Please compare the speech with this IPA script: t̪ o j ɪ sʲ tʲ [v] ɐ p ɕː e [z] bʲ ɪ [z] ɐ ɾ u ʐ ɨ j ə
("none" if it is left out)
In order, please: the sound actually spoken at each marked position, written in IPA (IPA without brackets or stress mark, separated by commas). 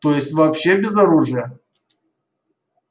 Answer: v, none, z